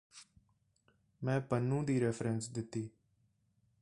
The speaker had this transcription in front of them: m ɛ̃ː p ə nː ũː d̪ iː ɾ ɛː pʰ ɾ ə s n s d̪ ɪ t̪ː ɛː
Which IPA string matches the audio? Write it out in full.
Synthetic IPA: m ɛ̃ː p ə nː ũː d̪ iː ɾ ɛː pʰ ɾ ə n s d̪ ɪ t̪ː iː